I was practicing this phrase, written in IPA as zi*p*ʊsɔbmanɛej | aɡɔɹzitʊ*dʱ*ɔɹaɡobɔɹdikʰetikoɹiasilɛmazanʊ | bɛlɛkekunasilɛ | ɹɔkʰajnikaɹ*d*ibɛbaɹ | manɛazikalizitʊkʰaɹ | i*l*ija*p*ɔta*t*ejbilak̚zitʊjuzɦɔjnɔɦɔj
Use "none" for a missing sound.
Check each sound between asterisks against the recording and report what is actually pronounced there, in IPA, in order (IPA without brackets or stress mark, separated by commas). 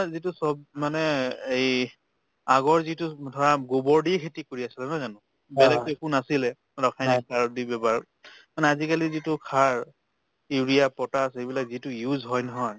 t, dʱ, d, ɹ, p, s